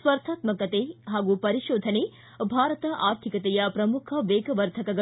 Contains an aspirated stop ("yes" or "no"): yes